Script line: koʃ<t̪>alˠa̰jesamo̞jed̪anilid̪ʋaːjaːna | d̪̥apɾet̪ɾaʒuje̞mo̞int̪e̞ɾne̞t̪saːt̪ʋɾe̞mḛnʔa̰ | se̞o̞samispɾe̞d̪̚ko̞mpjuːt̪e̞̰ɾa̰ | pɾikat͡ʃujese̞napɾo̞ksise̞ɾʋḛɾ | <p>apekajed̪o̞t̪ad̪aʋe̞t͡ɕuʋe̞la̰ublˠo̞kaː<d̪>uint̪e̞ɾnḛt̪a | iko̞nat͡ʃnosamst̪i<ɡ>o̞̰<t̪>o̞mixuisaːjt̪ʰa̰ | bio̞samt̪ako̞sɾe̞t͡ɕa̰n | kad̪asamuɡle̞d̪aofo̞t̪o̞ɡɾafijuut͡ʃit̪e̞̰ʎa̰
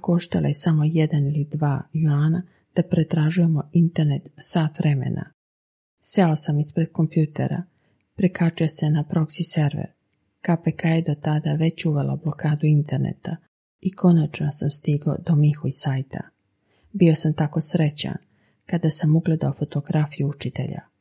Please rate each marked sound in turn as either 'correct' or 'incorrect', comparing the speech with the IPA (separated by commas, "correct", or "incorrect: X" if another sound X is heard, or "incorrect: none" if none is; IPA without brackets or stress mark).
correct, incorrect: k, correct, correct, incorrect: d̪